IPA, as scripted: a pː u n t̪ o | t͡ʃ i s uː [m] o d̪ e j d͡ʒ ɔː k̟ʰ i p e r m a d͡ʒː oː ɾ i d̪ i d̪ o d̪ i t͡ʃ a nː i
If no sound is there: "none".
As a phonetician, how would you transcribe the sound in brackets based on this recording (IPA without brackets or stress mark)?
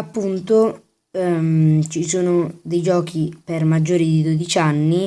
n